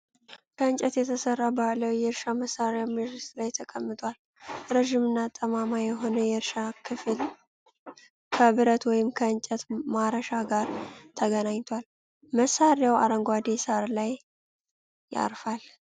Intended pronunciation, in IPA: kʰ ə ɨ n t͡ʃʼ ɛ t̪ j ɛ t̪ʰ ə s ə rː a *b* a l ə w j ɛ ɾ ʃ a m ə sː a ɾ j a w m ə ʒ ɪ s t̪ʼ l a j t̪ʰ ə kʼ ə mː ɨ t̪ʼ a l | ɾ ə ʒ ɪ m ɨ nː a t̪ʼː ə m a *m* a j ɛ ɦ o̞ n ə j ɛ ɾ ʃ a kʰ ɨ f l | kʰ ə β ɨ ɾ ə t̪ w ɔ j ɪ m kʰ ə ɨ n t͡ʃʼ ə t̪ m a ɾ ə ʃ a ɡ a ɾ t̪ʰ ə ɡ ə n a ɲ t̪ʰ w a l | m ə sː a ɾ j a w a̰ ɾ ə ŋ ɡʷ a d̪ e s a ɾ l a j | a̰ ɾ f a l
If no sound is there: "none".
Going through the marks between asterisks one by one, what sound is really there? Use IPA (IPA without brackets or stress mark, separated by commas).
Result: b, m